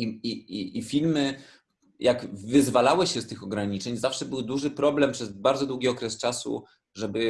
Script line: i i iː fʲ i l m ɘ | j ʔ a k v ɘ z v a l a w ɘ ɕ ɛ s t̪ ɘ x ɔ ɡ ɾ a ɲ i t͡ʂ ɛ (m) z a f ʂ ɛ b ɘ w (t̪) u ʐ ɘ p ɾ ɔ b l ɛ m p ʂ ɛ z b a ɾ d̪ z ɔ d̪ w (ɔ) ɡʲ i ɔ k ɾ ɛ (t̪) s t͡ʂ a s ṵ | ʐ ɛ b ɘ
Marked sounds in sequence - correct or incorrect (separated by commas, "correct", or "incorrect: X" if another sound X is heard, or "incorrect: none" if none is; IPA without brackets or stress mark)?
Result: incorrect: ɲ, incorrect: d̪, incorrect: u, incorrect: none